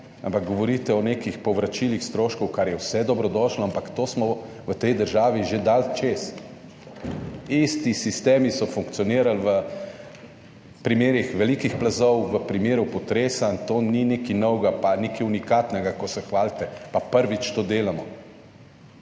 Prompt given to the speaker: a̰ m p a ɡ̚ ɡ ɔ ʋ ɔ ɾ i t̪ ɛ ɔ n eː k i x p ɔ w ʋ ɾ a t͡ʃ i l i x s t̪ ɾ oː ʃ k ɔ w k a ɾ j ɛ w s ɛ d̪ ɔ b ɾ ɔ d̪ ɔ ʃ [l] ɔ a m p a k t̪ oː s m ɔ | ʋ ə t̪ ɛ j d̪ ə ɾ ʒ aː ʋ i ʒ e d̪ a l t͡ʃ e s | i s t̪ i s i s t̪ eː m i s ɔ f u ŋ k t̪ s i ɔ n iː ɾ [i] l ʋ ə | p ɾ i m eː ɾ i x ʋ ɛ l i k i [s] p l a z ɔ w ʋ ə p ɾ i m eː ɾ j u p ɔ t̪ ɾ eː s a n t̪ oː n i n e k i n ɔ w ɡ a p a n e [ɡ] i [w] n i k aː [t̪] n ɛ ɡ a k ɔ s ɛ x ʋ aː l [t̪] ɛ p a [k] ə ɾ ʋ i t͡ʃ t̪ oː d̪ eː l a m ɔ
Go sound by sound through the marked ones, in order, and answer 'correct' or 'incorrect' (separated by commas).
correct, incorrect, incorrect, incorrect, incorrect, correct, correct, incorrect